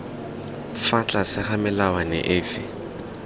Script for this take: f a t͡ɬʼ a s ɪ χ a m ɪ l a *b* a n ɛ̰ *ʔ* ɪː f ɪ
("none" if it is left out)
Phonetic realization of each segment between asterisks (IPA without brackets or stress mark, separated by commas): w, ʔ